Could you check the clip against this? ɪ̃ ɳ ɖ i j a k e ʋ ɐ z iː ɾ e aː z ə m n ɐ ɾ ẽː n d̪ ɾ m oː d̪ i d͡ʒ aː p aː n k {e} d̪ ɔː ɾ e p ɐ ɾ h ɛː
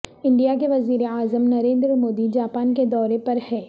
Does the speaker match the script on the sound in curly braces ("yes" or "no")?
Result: yes